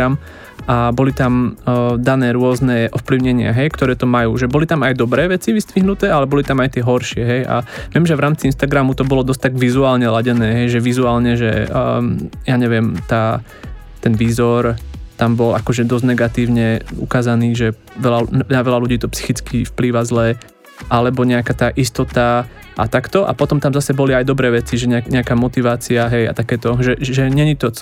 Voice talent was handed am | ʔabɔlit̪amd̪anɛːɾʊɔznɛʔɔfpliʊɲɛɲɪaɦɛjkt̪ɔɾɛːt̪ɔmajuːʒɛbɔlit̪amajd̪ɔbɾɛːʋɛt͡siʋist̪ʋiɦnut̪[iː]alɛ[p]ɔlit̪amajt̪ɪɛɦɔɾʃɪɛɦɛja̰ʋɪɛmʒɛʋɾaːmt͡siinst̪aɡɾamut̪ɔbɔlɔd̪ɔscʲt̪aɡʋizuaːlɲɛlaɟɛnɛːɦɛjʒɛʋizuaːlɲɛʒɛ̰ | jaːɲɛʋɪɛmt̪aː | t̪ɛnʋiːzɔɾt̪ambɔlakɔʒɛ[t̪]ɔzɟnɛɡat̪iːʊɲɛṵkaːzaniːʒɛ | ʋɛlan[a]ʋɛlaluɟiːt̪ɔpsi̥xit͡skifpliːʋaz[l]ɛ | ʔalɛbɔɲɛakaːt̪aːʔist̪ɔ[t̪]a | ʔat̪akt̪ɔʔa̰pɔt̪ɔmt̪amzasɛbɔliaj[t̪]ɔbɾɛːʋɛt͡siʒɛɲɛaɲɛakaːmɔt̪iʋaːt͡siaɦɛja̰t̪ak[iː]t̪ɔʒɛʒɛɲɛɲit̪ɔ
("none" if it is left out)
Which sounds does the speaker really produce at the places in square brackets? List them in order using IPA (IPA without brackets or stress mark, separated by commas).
ɛː, b, d̪, a, l, t̪, d̪, ɛː